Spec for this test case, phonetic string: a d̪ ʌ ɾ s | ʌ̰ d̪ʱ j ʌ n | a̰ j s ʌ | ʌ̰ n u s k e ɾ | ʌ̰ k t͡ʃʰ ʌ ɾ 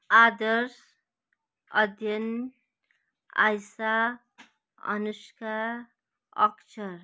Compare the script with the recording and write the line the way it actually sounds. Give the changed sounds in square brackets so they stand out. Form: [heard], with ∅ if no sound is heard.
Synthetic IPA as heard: a d̪ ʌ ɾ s | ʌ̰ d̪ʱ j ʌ n | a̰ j s [a] | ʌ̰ n u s k [a] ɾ | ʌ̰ k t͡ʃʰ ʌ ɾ